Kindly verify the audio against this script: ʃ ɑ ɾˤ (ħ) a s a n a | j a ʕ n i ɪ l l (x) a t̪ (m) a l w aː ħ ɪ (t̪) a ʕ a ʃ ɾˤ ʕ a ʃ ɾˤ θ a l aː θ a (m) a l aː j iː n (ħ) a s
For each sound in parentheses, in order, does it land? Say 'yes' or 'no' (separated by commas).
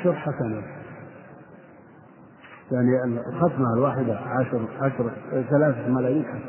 yes, yes, yes, no, yes, yes